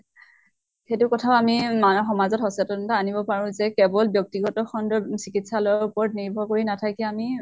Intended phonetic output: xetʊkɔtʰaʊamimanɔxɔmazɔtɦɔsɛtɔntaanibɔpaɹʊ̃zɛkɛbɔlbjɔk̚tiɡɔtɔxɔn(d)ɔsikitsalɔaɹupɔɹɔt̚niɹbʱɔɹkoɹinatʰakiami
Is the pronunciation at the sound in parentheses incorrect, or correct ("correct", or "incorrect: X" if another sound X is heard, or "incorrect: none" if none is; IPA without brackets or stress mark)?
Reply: correct